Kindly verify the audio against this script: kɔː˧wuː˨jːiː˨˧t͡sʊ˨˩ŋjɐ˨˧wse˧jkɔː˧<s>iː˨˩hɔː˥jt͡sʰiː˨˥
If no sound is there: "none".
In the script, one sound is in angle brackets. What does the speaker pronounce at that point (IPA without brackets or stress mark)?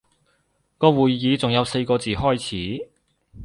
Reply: t͡s